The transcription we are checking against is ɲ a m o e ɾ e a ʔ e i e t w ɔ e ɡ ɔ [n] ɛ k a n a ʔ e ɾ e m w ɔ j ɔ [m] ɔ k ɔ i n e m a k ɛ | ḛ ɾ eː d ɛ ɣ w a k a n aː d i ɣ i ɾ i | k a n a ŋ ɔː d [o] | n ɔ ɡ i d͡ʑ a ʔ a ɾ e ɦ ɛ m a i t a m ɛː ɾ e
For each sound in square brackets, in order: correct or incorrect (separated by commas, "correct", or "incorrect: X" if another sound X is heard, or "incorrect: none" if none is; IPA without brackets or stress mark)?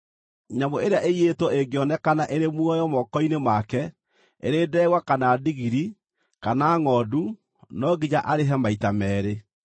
correct, correct, incorrect: u